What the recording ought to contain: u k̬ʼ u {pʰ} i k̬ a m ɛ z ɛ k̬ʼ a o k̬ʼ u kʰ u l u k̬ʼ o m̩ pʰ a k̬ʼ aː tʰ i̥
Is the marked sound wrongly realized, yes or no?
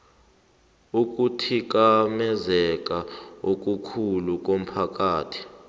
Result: yes